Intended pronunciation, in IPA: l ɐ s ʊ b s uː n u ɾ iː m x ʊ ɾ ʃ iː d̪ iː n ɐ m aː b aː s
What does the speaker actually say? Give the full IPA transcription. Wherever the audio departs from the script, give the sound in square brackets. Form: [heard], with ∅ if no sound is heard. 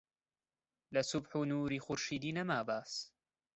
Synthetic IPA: l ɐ s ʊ b [ħ] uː n [uː] ɾ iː [∅] x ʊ ɾ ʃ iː d̪ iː n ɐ m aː b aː s